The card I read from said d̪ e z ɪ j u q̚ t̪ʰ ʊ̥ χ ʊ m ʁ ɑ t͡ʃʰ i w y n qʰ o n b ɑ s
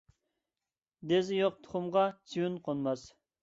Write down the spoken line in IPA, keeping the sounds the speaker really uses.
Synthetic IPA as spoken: d̪ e z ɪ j o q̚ t̪ʰ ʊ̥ χ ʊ m ʁ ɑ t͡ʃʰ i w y n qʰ o n m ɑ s

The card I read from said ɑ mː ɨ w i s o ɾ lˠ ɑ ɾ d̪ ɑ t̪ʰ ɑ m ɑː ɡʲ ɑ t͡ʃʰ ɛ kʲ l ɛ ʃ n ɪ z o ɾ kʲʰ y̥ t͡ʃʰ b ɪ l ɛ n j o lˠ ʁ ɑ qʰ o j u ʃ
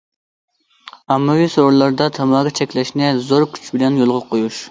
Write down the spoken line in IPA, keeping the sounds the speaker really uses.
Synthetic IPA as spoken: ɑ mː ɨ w i s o ɾ lˠ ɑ ɾ d̪ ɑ t̪ʰ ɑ m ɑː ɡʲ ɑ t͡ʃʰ ɛ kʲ l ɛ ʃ n ɪ z o ɾ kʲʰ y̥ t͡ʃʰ b ɪ l ɛ n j o lˠ ʁ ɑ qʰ o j u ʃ

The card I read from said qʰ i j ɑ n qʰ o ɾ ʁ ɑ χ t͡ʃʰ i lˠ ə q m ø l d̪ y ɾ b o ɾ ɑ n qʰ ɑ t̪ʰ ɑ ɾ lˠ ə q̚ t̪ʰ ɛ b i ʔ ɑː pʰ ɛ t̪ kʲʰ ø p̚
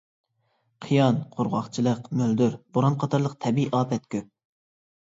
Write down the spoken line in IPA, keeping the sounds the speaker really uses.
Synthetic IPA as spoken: qʰ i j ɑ n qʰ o ɾ ʁ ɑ χ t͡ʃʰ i lˠ ə q m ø l d̪ y ɾ b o ɾ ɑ n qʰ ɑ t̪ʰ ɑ ɾ lˠ ə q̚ t̪ʰ ɛ b i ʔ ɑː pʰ ɛ t̪ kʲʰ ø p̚

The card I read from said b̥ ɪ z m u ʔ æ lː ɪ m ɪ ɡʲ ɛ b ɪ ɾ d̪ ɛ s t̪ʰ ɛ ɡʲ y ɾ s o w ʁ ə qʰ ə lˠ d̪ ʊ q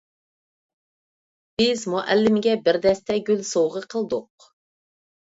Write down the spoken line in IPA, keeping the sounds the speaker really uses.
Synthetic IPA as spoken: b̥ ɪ z m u ʔ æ lː ɪ m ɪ ɡʲ ɛ b ɪ ɾ d̪ ɛ s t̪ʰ ɛ ɡʲ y l s o w ʁ ə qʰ ə lˠ d̪ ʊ q

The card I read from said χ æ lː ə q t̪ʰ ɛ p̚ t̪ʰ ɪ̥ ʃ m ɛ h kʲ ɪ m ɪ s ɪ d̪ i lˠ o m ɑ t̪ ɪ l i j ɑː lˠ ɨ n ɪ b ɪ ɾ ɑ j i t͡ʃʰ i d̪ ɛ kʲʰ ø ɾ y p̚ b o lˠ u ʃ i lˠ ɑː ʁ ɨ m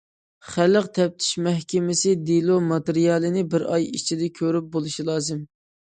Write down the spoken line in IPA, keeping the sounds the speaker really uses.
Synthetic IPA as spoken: χ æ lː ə q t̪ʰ ɛ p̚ t̪ʰ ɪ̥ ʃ m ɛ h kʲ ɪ m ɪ s ɪ d̪ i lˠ o m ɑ t̪ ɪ ɾ i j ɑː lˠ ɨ n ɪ b ɪ ɾ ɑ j i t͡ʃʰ i d̪ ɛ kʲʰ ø ɾ y p̚ b o lˠ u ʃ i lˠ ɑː z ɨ m

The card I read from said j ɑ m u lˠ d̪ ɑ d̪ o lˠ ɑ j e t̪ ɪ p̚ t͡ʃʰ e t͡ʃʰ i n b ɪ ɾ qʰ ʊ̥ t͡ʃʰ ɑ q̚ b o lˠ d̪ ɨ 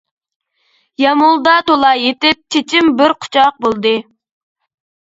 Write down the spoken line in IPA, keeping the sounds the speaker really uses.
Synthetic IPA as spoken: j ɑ m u lˠ d̪ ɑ t̪ o lˠ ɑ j e t̪ ɪ p̚ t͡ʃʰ e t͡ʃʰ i m b ɪ ɾ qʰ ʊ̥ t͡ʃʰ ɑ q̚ b o lˠ d̪ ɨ

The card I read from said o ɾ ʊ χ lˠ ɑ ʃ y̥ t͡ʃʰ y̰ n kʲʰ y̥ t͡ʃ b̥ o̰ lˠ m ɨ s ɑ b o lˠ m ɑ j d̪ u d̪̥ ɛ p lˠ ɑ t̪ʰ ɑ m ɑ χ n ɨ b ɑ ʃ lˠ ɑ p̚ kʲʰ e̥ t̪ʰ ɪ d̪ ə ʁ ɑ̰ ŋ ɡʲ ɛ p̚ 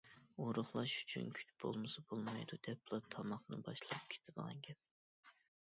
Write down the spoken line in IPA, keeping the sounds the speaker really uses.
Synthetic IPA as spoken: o ɾ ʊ χ lˠ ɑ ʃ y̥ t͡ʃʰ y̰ n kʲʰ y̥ t͡ʃ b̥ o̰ lˠ m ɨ s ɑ b o lˠ m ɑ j d̪ u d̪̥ ɛ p lˠ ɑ t̪ʰ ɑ m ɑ χ n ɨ b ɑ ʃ lˠ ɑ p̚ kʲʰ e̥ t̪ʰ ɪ d̪ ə ʁ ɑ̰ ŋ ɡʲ ɛ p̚

